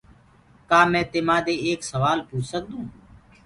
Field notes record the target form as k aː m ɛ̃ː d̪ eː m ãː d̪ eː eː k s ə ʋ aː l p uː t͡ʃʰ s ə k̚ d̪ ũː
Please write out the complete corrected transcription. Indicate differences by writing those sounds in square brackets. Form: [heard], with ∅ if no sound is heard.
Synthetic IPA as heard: k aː m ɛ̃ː [t̪] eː m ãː d̪ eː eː k s ə ʋ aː l p uː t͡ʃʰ s ə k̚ d̪ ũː